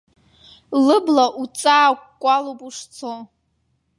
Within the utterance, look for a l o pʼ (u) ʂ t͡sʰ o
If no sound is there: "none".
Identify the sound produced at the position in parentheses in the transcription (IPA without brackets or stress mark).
u